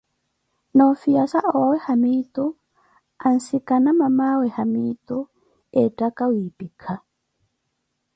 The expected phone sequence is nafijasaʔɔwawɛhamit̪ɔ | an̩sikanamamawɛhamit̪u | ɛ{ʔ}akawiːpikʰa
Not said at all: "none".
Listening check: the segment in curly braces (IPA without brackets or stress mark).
t